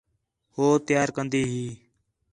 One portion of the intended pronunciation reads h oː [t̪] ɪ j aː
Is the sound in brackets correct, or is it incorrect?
correct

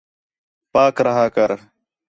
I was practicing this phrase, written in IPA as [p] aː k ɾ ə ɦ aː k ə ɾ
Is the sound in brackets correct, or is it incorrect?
correct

